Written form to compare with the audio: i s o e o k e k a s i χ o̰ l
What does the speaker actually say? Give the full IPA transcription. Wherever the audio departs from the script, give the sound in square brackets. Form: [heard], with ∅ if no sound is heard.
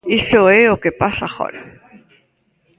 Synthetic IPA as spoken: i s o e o k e [p] a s [a] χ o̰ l